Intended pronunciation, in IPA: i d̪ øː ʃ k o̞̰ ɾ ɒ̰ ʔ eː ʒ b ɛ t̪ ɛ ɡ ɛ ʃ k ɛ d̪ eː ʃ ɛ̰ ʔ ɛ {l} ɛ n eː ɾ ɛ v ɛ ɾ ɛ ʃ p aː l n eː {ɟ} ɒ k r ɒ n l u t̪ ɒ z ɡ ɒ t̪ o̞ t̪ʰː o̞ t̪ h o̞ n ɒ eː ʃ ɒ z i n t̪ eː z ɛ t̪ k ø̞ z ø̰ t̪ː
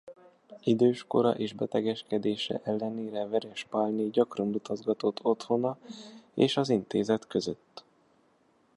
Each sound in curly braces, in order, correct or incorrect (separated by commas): incorrect, correct